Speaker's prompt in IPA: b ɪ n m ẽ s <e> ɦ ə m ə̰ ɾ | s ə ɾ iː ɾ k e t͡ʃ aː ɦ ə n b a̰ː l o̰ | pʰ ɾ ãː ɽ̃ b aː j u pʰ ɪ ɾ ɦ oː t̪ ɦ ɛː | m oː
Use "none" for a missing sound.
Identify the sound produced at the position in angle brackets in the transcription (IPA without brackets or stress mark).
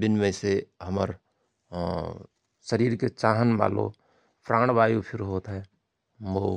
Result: e